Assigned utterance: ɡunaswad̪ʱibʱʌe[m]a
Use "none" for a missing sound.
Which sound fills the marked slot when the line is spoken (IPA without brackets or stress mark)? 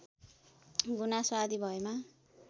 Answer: m